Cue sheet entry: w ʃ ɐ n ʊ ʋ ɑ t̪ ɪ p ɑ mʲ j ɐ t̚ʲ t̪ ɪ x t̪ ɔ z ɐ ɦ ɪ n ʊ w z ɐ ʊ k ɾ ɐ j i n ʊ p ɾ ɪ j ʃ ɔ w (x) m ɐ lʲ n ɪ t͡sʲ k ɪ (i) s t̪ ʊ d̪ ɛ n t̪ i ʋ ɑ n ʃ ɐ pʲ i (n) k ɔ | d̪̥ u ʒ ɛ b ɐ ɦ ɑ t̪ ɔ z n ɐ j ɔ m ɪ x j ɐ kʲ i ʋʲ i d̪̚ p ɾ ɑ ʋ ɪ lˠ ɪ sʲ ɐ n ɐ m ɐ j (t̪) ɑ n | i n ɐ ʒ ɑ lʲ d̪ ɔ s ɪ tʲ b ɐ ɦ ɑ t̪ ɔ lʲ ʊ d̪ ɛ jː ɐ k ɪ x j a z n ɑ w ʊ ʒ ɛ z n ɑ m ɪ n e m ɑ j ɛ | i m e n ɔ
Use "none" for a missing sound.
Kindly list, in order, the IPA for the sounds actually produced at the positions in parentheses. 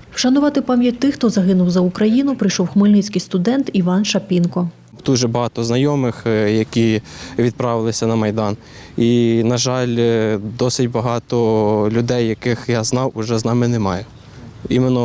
x, j, n, d̪

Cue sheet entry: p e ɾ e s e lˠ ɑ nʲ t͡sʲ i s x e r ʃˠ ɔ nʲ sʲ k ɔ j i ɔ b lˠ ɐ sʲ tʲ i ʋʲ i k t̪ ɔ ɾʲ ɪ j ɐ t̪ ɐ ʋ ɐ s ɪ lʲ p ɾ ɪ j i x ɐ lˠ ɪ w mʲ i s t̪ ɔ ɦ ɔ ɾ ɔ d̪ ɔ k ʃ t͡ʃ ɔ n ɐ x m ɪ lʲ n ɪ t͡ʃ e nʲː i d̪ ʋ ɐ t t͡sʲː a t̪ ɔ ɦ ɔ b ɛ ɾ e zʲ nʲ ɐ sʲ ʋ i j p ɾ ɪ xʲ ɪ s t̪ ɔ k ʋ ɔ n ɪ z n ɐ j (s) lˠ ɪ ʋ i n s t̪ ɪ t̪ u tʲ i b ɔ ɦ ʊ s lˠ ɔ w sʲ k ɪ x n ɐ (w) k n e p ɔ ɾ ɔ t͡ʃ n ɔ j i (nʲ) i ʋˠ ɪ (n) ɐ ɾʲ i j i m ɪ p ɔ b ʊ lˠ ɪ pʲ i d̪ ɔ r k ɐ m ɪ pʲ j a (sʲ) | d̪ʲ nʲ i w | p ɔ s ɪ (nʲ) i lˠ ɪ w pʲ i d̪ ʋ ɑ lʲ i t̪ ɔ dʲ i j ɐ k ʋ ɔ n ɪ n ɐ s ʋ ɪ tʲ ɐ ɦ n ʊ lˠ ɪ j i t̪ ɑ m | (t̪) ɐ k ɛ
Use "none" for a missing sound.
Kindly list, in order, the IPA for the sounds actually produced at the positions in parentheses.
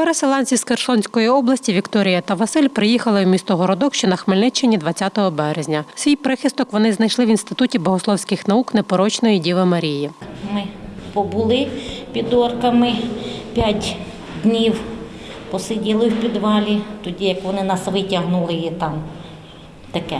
ʃ, u, dʲ, m, tʲ, dʲ, t̪

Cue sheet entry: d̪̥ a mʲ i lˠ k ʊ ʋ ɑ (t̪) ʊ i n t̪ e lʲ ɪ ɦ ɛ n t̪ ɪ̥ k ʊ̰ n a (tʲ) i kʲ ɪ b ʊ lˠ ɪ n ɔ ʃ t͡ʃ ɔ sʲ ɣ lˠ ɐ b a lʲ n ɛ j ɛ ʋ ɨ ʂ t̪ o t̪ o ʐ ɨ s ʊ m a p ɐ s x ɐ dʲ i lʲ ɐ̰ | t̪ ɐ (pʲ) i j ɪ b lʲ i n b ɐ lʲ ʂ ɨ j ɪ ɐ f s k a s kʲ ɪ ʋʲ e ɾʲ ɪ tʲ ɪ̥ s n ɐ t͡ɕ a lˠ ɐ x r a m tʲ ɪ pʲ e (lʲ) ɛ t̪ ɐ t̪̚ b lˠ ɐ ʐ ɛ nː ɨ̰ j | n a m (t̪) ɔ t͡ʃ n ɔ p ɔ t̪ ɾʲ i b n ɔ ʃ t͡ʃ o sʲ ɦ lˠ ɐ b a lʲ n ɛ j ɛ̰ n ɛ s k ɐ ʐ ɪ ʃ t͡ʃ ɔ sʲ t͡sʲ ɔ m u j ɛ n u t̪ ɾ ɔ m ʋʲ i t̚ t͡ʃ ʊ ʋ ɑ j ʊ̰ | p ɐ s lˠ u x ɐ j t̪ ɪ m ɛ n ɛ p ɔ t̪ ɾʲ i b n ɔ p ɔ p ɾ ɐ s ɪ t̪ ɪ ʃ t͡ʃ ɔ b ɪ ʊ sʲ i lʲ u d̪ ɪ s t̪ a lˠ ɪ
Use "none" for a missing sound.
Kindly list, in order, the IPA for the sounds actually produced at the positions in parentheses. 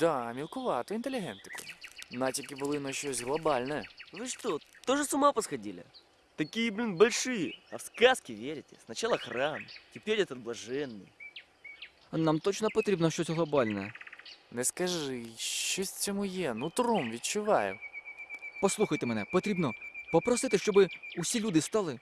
t̪, tʲ, kʲ, ɾʲ, t̪

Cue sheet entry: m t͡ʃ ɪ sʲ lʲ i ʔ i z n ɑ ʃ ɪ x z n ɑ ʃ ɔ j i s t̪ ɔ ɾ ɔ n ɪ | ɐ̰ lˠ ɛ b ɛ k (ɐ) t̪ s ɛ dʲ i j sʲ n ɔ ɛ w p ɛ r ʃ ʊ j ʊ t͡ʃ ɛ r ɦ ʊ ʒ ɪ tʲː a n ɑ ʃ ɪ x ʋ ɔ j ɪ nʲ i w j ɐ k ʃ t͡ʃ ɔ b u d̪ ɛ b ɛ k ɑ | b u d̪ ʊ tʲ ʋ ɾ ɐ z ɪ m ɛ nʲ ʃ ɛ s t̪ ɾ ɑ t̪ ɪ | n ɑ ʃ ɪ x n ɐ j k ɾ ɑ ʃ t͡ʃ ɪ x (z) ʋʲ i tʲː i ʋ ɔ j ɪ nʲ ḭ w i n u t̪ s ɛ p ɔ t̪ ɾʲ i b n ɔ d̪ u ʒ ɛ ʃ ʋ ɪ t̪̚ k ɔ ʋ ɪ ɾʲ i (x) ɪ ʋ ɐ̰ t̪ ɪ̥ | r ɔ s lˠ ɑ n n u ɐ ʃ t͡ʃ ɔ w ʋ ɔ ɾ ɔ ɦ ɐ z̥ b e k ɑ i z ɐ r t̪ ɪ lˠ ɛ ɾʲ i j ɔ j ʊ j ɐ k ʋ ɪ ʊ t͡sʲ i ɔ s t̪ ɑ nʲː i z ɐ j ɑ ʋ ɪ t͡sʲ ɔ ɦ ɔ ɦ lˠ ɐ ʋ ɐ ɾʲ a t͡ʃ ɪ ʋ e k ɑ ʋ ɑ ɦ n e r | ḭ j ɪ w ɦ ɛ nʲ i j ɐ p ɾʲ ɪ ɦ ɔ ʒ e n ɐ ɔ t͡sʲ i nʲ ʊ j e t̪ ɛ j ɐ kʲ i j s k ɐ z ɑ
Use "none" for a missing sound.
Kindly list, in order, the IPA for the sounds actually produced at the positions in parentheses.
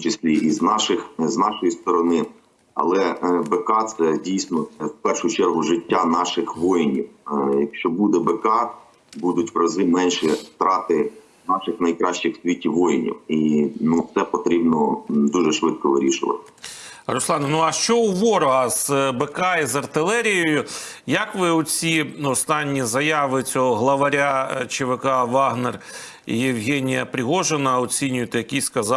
ɑ, s, ʃ

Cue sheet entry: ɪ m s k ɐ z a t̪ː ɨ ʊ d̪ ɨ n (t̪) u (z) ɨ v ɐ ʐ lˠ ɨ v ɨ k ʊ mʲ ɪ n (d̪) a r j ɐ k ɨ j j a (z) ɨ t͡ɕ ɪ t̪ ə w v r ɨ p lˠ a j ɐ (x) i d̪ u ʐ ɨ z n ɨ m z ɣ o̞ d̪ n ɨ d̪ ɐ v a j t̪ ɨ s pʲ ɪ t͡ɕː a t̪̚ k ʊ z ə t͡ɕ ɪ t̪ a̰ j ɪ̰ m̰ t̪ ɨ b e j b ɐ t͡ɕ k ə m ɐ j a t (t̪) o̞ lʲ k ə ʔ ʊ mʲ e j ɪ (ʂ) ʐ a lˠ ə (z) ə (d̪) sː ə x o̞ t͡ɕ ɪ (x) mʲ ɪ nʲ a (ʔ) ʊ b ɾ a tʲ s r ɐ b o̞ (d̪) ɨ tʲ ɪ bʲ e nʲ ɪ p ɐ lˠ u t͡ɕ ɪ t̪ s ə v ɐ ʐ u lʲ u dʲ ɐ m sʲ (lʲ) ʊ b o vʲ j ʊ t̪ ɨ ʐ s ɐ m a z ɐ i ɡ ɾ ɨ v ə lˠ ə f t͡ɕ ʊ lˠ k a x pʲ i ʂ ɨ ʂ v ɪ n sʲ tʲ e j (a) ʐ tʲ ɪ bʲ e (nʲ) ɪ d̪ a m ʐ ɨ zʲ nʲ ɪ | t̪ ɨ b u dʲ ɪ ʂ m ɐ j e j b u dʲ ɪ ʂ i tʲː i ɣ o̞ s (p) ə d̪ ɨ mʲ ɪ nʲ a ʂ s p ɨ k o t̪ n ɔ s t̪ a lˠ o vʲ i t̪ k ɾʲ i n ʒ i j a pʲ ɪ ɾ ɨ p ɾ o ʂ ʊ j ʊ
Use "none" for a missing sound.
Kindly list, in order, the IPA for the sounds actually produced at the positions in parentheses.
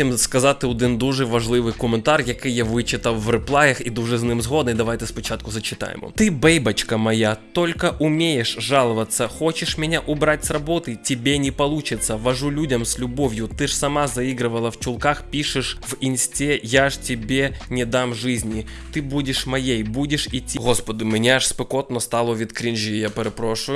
d̪, ʐ, t̪, v, x, t̪, ʂ, v, t̪, ʂ, ʔ, t̪, lʲ, a, nʲ, p

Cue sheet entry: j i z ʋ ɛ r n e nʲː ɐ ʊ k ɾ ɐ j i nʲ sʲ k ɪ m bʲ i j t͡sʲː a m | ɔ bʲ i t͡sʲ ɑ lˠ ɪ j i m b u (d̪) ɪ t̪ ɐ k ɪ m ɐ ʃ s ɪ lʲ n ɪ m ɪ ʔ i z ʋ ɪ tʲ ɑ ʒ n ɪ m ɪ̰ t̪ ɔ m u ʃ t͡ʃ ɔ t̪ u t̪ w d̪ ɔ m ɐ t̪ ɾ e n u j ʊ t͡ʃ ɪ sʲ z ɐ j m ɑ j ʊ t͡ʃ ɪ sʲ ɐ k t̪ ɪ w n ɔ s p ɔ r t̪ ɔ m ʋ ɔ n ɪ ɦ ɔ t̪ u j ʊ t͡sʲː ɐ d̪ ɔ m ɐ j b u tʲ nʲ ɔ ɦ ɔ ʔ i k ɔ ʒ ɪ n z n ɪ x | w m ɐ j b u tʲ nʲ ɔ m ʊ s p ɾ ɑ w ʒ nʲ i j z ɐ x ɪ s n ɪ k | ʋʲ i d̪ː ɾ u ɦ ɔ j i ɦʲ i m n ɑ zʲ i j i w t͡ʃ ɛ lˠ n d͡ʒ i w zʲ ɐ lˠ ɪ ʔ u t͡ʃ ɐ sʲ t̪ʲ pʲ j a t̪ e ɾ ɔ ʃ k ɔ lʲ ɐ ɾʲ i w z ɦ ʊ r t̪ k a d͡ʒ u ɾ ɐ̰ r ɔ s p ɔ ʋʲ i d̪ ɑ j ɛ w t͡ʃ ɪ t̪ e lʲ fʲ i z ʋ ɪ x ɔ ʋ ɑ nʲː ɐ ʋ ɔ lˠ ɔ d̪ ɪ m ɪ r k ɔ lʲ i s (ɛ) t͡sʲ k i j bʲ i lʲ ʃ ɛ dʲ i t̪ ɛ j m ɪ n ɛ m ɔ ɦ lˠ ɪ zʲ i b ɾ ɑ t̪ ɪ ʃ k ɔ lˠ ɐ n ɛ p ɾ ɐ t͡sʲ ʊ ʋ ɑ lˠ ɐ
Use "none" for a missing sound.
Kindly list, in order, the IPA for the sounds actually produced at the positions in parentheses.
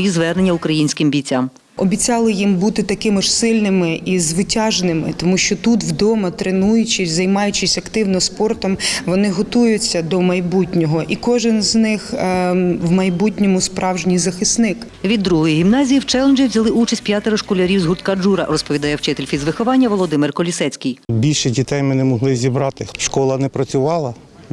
t̪, ɛ

